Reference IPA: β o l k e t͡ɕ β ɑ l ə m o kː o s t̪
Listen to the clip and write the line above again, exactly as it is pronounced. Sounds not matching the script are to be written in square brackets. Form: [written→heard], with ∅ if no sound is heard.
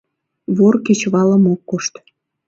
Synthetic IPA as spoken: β o [l→r] k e t͡ɕ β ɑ l ə m o kː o [s→ʃ] t̪